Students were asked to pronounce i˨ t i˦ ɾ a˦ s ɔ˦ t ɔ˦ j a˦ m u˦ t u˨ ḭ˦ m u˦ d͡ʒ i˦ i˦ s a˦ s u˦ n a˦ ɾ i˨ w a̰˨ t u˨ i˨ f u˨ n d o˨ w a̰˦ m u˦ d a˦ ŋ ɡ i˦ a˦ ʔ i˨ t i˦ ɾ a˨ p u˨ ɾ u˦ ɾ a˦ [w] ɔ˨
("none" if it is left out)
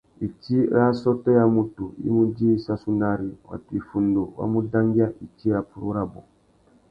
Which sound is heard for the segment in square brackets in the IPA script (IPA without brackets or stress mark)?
b